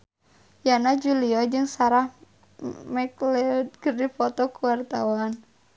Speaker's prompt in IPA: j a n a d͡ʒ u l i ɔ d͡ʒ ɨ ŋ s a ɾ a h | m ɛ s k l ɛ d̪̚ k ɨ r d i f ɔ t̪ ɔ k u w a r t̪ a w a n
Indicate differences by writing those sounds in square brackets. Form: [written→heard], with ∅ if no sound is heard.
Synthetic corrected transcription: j a n a d͡ʒ u l i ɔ d͡ʒ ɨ ŋ s a ɾ a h | m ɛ [s→∅] k l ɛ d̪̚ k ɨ r d i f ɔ t̪ ɔ k u w a r t̪ a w a n